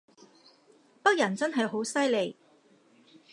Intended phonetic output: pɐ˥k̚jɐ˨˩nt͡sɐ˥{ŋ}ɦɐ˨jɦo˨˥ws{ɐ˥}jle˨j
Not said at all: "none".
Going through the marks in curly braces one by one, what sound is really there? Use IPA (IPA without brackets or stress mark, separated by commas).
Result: n, ɐ˥